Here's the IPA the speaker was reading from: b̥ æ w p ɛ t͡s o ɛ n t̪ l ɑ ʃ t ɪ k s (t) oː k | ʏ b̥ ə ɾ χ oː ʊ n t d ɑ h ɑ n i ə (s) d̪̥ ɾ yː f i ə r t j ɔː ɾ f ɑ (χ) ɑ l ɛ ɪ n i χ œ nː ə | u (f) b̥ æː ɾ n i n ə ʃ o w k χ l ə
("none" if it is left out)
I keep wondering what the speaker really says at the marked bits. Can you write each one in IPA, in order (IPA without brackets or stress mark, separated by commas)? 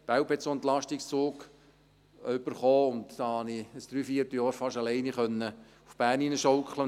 t͡s, s, ʃ, f